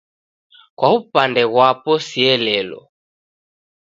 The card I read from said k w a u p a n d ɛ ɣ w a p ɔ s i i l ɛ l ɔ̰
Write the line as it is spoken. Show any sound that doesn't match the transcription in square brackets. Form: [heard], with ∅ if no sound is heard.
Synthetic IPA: k w a u p a n d ɛ ɣ w a p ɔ s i [ɛ] l ɛ l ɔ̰